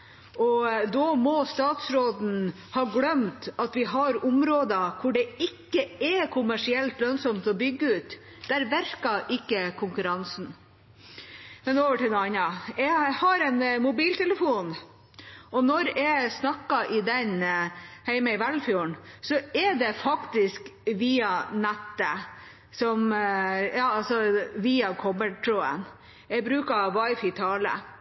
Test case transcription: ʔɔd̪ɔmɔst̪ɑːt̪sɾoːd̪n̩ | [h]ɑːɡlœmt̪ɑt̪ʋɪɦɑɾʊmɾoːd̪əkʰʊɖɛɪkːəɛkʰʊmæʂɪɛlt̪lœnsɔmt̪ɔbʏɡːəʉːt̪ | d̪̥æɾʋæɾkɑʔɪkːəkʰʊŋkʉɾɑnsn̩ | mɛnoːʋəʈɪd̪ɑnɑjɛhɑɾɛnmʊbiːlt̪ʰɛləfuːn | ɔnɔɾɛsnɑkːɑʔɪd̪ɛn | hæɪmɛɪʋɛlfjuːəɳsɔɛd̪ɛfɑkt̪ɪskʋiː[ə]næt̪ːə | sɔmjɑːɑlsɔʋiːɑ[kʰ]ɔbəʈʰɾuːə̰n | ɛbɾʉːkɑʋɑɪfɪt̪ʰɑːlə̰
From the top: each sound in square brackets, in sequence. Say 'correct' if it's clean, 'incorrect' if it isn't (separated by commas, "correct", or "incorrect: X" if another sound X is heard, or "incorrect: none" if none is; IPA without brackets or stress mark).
correct, incorrect: ɑ, correct